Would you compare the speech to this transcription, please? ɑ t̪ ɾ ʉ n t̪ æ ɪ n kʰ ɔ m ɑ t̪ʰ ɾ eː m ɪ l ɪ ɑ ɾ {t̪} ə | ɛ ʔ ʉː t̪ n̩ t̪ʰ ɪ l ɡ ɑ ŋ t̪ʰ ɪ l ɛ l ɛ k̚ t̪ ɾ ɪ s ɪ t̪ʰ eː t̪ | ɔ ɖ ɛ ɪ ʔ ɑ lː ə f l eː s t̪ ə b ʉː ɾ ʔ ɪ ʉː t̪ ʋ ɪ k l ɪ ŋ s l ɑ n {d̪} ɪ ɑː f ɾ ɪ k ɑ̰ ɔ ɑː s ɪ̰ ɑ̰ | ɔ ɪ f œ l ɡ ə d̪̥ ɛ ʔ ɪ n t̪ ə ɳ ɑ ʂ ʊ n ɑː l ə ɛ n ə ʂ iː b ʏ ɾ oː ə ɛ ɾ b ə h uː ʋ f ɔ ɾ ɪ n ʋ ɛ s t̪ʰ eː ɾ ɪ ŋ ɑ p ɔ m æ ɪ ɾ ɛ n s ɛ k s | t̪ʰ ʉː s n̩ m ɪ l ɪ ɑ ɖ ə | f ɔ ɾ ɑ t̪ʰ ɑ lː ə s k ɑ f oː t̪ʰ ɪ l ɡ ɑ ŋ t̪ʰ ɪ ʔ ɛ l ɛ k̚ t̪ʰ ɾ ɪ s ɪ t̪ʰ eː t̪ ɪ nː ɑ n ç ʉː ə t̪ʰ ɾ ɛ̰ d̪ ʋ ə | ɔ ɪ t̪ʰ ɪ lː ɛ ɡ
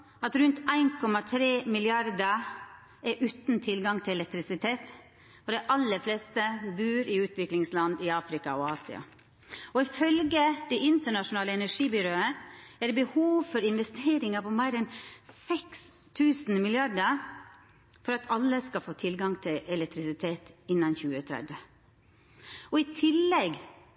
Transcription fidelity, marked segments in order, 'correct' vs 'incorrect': incorrect: d̪, correct

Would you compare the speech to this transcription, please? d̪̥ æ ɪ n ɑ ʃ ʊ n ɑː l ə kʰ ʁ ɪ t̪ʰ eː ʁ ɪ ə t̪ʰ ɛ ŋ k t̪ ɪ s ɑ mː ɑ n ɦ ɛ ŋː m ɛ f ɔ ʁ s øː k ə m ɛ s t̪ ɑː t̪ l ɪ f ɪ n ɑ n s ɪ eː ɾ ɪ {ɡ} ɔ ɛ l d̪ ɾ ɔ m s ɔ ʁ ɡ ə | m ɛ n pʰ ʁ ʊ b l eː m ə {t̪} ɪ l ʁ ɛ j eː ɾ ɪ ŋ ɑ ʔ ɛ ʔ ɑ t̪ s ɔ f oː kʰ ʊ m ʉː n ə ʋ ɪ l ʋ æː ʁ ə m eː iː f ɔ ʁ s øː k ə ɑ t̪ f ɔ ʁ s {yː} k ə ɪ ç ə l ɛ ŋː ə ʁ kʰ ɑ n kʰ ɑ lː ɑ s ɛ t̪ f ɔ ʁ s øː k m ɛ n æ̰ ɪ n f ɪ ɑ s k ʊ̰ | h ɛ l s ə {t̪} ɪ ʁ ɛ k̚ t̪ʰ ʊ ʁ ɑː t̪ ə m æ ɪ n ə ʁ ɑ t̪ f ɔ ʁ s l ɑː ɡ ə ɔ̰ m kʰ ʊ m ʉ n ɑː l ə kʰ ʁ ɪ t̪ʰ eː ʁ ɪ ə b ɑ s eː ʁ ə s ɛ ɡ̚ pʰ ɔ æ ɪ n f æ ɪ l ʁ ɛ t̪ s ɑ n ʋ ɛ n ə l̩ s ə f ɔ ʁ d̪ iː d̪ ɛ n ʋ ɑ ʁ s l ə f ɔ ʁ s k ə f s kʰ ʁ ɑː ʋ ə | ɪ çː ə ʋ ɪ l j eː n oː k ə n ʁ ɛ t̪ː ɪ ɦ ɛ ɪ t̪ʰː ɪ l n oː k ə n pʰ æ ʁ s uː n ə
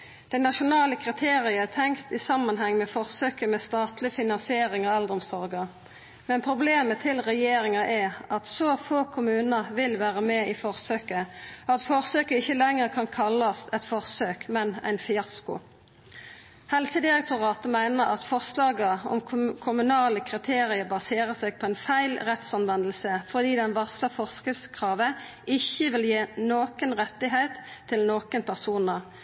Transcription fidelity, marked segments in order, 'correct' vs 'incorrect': incorrect: ŋ, incorrect: t̪ʰ, incorrect: øː, incorrect: d̪

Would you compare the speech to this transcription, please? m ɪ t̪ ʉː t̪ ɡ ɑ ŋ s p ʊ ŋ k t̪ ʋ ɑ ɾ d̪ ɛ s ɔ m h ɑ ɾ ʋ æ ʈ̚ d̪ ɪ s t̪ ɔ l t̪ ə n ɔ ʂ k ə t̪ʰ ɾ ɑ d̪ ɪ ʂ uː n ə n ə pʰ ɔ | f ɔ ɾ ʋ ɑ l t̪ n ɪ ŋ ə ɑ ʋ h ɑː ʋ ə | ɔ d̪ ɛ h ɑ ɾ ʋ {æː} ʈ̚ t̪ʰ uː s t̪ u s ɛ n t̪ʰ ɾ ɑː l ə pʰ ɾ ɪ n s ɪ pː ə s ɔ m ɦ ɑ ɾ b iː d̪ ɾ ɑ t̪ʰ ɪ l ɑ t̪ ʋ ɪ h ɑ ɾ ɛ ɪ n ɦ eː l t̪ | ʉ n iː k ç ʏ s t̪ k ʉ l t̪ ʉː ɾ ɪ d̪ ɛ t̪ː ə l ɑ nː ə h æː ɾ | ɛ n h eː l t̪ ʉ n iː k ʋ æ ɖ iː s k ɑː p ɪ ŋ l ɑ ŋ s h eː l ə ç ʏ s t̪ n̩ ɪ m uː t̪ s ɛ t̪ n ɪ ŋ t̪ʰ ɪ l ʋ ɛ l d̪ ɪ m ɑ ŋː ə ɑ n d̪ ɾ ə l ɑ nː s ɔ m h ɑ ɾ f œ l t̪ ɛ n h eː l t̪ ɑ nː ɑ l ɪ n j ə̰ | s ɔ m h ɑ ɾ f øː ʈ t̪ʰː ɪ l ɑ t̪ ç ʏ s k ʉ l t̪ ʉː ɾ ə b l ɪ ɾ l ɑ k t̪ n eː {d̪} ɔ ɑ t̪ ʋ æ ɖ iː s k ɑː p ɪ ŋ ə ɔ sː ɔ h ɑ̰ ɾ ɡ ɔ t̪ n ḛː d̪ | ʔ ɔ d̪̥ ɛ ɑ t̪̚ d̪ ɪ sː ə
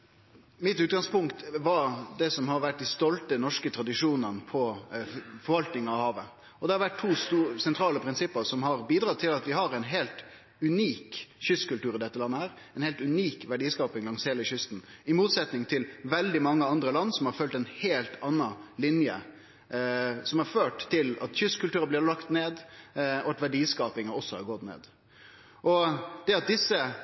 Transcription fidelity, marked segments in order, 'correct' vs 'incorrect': incorrect: æ, correct

